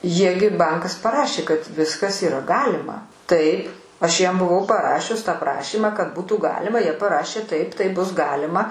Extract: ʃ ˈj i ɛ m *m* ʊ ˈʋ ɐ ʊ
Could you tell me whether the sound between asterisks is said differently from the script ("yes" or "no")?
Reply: yes